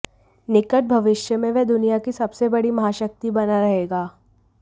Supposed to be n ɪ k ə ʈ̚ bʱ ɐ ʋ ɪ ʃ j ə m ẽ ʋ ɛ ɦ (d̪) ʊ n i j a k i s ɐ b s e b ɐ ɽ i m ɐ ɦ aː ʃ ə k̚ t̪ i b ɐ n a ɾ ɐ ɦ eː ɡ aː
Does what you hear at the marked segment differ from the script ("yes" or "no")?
no